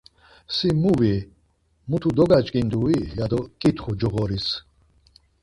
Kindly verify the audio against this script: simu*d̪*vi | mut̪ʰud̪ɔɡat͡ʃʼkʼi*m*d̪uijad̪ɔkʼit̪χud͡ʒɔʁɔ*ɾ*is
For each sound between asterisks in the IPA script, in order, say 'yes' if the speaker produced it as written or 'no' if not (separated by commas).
no, no, yes